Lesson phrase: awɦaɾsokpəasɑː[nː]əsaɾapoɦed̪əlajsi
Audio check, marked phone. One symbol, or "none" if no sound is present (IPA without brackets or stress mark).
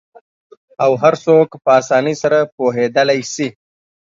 n